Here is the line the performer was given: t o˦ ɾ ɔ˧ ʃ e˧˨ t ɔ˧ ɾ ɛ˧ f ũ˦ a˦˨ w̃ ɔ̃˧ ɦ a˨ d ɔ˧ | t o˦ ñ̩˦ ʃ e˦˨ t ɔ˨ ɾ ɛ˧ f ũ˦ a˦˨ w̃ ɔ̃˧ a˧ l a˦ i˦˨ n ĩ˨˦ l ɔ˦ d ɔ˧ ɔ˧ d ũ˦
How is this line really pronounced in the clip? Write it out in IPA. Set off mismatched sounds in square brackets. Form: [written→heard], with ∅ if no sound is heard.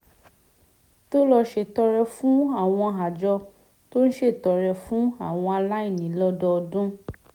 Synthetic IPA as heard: t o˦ [ɾ→l] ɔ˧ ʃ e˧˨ t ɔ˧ ɾ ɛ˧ f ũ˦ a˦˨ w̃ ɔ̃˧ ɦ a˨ [d→d͡ʒ] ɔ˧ | t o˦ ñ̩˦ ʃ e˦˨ t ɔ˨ ɾ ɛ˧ f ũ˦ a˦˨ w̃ ɔ̃˧ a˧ l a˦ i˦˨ n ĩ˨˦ l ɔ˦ d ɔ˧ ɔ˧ d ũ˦